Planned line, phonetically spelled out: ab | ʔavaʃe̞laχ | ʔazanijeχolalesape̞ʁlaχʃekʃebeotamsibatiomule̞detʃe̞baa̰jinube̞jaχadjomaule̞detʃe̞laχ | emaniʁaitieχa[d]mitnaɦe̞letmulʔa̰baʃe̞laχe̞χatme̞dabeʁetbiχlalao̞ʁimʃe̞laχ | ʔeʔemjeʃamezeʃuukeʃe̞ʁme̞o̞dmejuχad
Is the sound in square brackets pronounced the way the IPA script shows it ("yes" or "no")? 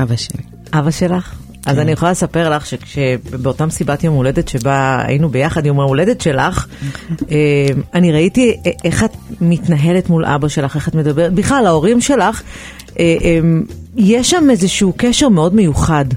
no